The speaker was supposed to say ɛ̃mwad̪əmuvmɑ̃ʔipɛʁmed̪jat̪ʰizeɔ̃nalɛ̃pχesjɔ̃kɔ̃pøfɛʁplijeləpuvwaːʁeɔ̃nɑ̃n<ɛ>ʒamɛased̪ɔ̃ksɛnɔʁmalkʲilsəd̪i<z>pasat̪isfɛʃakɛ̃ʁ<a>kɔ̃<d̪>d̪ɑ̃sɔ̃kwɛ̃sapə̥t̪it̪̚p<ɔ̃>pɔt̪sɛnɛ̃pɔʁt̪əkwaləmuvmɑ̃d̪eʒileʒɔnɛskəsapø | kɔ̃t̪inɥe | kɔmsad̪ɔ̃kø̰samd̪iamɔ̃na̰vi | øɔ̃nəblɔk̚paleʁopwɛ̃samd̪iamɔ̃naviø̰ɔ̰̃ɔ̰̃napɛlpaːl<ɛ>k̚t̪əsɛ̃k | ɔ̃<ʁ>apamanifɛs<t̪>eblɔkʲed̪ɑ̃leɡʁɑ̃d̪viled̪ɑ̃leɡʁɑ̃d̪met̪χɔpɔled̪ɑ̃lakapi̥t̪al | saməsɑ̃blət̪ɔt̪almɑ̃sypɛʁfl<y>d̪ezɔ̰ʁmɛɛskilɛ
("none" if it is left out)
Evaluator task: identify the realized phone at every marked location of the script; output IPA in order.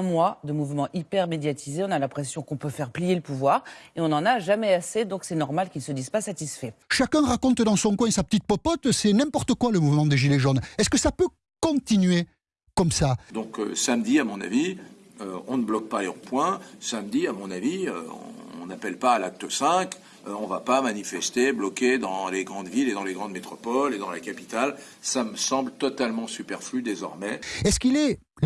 a, z, a, t̪, ɔ, a, v, t̪, y

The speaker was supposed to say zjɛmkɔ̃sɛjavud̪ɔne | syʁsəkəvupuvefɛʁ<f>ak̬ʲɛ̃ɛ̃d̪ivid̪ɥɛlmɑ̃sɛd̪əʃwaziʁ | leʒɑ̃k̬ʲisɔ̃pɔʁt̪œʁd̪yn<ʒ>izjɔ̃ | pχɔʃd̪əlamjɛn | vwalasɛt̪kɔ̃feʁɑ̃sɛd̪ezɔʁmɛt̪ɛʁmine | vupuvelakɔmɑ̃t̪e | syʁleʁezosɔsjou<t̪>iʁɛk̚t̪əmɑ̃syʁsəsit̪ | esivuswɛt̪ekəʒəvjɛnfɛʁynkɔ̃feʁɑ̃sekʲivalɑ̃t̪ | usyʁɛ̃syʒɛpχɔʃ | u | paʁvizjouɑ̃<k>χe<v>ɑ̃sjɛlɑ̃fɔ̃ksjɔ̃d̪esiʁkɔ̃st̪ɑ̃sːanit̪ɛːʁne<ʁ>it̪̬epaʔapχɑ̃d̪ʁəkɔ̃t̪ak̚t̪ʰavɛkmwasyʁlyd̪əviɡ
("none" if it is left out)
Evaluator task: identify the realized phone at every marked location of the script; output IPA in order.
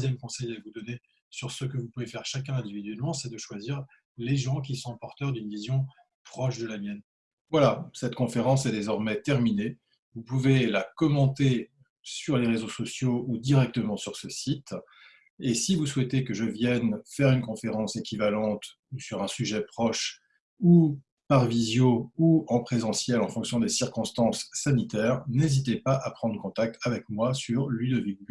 ʃ, v, d̪, p, z, z

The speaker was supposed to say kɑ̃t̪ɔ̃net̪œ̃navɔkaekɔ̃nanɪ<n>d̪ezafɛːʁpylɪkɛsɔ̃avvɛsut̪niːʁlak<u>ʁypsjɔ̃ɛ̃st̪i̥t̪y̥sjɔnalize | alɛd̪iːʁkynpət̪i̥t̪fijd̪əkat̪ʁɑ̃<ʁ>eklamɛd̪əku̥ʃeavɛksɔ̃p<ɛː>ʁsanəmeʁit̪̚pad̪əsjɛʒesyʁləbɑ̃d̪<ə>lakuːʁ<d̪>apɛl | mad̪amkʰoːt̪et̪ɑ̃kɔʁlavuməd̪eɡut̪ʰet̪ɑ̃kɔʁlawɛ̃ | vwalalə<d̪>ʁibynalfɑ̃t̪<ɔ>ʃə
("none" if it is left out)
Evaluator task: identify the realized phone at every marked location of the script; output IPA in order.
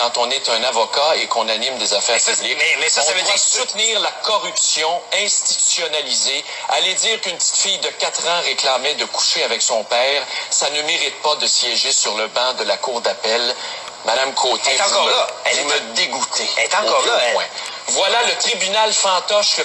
m, ɔ, ʁ, ɛː, ə, d̪, t̪, ɔ

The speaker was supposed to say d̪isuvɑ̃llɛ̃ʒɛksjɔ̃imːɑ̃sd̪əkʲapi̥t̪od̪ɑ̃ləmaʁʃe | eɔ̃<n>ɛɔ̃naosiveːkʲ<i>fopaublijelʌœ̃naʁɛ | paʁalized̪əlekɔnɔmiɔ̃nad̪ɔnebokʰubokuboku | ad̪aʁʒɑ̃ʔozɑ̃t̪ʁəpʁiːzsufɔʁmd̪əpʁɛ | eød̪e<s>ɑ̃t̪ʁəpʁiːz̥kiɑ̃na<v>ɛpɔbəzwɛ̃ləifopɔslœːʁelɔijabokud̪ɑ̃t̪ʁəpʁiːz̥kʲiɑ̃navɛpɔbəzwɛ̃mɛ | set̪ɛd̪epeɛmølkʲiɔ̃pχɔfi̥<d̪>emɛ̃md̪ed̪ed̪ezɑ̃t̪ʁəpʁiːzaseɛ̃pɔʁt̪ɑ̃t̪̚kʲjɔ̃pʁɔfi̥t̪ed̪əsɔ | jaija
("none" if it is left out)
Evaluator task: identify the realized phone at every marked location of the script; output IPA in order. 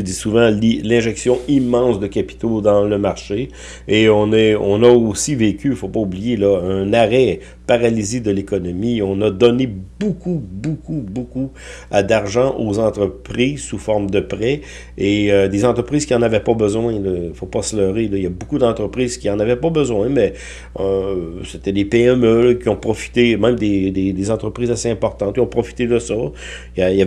n, y, z, v, t̪

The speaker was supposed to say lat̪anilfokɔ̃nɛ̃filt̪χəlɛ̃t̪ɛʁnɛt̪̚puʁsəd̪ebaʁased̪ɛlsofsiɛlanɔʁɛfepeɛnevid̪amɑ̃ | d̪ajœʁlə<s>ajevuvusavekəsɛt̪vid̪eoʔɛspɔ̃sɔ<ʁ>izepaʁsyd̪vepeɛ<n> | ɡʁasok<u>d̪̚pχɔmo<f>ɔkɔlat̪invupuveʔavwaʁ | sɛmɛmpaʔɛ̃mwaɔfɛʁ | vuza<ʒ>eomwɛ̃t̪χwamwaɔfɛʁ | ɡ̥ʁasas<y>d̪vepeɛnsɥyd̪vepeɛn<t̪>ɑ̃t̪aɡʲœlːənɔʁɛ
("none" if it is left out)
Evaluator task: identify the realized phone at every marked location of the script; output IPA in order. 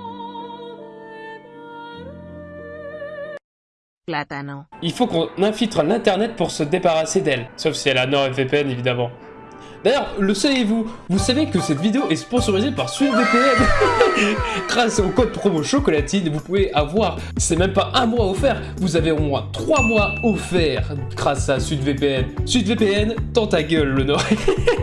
s, ʁ, n, ɔ, ʃ, v, y, t̪

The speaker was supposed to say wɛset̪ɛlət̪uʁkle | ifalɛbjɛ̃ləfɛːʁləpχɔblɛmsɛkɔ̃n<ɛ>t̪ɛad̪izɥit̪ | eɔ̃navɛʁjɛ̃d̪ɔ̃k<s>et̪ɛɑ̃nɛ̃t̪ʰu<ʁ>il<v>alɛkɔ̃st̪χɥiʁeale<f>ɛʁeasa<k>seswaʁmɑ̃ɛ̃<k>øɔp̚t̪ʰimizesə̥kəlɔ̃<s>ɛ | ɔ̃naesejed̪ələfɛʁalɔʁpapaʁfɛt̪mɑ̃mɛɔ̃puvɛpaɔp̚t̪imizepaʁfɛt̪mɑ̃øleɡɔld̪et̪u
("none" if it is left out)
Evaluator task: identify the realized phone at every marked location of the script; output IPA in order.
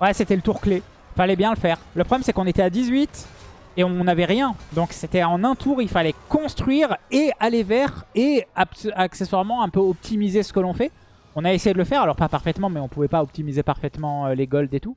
e, s, ʁ, f, v, k, p, f

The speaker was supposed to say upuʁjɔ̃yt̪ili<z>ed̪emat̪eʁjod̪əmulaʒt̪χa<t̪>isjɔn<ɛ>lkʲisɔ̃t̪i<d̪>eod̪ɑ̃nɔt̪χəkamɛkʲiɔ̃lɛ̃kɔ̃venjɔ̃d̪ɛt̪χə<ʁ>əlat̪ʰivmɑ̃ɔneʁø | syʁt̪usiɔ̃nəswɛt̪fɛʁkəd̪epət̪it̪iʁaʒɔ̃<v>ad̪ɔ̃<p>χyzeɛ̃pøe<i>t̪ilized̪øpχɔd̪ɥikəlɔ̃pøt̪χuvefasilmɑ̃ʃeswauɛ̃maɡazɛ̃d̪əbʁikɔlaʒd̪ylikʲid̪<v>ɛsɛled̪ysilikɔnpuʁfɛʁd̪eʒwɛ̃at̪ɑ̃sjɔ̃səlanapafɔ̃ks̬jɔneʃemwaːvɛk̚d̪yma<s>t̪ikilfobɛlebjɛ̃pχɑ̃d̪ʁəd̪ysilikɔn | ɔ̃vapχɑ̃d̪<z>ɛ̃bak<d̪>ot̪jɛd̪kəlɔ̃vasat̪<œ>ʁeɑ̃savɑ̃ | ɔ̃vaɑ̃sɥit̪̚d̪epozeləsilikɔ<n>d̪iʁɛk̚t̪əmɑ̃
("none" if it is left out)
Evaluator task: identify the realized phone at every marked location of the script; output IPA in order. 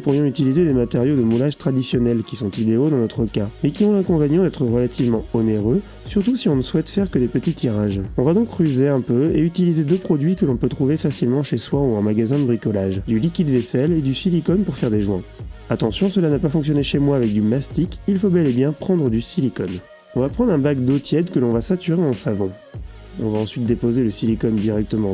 z, d̪, ɛ, d̪, ʁ, v, k, y, v, s, ʁ, d̪, y, n

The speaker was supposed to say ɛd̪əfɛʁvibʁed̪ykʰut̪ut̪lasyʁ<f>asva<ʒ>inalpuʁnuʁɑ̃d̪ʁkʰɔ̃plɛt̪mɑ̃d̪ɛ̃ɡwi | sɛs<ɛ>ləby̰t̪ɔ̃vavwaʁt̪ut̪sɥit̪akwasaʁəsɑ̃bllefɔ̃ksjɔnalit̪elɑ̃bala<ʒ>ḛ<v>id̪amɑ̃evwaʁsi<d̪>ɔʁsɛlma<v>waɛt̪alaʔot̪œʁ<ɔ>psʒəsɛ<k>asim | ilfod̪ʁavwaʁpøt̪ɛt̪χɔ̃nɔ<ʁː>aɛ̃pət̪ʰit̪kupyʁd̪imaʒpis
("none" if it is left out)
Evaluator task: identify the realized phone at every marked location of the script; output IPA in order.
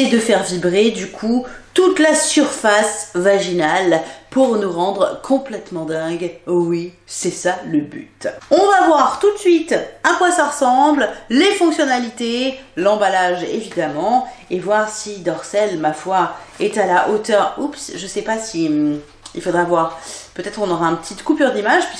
f, ʒ, a, ʒ, v, d̪, f, u, p, ʁ

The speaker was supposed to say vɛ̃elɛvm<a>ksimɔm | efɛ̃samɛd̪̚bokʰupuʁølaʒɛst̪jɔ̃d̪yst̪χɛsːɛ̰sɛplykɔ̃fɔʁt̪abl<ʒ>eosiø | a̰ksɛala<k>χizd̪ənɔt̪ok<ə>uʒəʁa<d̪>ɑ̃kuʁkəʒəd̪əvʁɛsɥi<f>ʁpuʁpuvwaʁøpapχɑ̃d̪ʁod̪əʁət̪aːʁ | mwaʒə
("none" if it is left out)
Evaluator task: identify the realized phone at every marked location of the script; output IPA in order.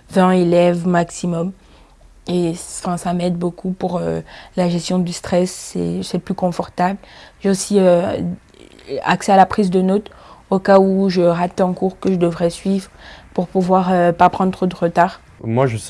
a, ʒ, p, a, t̪, v

